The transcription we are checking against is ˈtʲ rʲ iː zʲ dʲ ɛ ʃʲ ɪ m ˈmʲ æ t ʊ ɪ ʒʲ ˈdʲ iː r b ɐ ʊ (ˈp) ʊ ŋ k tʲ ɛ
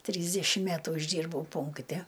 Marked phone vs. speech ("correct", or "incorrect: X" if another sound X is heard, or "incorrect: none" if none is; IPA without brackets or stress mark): correct